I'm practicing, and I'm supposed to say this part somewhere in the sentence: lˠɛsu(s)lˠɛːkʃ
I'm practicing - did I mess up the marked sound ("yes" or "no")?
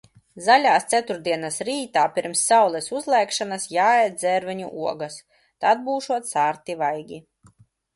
yes